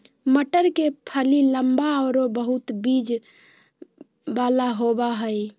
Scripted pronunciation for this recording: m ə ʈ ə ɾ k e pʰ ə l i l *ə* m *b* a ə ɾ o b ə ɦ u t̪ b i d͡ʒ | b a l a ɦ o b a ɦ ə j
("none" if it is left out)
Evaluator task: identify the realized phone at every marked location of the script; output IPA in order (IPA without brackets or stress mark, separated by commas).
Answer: ə, b